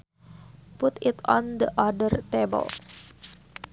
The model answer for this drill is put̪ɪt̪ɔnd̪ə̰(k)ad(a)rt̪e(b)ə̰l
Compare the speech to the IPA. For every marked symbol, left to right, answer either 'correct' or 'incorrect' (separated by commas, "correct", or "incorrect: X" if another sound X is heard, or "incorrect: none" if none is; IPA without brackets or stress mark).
incorrect: ʔ, incorrect: ə, correct